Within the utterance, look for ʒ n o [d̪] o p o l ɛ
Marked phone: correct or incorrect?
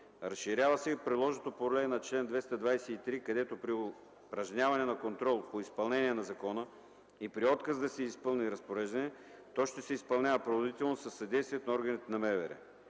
incorrect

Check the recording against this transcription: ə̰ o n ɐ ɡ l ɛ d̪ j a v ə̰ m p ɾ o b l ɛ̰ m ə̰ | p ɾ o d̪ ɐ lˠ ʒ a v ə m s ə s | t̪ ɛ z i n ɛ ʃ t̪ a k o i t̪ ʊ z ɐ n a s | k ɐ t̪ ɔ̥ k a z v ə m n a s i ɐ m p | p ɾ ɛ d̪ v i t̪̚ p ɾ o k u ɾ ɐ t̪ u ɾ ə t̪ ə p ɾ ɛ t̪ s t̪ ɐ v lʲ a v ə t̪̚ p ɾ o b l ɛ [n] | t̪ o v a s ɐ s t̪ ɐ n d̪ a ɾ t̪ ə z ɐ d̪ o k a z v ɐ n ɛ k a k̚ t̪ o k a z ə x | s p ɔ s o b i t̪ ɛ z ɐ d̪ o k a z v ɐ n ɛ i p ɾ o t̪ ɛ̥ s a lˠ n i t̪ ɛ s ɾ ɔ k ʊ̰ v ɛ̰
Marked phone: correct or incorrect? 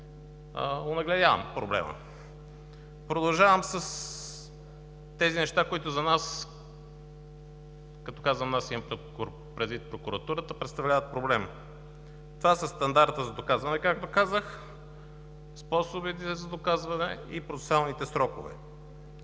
incorrect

